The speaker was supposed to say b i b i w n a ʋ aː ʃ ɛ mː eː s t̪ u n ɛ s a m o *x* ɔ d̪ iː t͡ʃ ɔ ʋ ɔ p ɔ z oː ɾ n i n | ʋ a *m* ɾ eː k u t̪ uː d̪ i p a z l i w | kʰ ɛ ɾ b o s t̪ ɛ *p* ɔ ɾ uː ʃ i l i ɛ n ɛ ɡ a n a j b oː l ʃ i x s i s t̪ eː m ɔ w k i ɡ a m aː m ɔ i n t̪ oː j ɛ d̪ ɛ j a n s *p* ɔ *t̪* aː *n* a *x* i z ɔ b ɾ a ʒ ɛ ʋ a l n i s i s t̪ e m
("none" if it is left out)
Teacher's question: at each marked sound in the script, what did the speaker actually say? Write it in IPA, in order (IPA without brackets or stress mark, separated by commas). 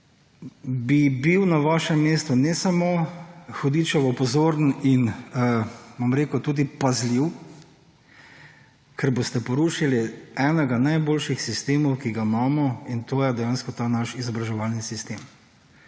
x, m, p, k, t̪, n, ʃ